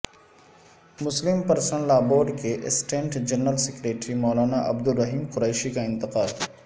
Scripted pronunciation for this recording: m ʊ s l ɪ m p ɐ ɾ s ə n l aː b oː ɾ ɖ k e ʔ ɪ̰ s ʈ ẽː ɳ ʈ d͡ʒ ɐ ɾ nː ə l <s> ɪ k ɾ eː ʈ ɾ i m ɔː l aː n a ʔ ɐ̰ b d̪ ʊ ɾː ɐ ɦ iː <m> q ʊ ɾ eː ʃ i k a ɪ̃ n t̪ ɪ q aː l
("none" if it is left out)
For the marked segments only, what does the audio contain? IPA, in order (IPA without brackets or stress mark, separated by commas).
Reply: s, m